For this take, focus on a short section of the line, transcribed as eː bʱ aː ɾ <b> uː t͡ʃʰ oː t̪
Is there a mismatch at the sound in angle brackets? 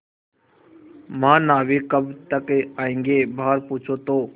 yes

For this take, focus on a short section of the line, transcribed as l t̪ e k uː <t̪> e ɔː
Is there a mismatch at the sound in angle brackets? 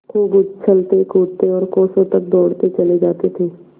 no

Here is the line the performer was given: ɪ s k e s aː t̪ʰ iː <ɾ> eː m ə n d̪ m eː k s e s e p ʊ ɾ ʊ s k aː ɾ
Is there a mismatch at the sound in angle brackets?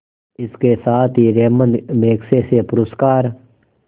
no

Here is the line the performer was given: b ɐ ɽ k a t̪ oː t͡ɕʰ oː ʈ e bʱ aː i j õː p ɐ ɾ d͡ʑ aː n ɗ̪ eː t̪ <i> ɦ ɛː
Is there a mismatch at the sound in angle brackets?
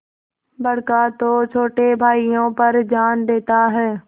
yes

